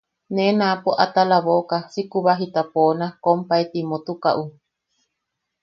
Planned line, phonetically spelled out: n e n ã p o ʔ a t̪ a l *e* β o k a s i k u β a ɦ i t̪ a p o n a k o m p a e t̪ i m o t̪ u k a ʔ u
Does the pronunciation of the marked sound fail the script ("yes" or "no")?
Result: yes